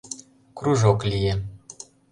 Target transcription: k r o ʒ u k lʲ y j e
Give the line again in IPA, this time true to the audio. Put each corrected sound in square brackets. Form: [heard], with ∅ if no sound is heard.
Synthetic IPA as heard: k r [u] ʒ [o] k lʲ [i] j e

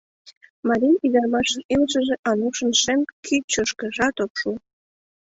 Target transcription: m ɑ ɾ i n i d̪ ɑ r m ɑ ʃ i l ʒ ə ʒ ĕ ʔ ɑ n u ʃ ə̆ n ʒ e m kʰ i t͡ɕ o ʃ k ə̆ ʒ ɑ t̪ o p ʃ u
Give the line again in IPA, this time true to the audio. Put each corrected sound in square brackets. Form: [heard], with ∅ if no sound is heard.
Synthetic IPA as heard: m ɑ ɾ i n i d̪ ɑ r m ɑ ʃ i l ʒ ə ʒ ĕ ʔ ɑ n u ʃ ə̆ n [ʃ] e m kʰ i t͡ɕ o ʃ k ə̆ ʒ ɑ t̪ o p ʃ u

